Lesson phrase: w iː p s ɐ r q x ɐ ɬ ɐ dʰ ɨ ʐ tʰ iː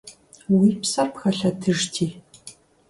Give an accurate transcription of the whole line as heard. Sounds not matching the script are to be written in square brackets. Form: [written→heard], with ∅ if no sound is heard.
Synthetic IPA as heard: w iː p s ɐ r [q→p] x ɐ ɬ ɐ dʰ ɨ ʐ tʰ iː